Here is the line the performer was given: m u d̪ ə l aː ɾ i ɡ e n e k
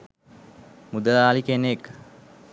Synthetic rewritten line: m u d̪ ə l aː l i k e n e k